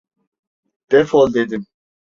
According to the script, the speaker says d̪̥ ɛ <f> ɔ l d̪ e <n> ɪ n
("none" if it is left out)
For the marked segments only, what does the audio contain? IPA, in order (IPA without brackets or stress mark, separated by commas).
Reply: f, d